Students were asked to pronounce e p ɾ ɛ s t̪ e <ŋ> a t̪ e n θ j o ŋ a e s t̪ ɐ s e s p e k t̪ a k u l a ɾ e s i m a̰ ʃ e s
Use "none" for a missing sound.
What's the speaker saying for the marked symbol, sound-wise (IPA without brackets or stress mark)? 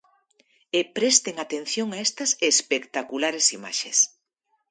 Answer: ŋ